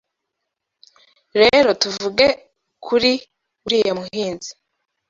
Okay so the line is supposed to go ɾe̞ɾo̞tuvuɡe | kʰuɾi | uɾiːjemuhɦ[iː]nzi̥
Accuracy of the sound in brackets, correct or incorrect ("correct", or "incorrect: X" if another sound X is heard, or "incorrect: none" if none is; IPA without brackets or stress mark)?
correct